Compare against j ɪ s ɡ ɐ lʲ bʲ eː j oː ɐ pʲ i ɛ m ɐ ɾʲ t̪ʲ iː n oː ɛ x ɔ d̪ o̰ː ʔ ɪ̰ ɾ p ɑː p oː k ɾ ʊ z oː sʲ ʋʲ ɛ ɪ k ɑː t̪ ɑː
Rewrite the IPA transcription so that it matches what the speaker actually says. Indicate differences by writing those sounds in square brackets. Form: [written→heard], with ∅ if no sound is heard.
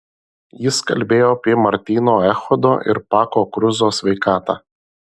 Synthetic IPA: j ɪ s [ɡ→k] ɐ lʲ bʲ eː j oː ɐ pʲ i ɛ m ɐ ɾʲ t̪ʲ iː n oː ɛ x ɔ d̪ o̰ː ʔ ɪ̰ ɾ p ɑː [p→k] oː k ɾ ʊ z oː sʲ ʋʲ ɛ ɪ k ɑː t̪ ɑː